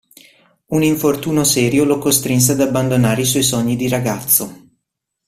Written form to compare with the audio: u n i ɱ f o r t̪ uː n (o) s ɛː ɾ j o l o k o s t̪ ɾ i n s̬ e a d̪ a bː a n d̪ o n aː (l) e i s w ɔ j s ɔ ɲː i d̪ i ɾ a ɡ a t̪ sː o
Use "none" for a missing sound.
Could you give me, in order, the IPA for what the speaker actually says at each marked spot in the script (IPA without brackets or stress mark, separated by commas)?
o, ɾ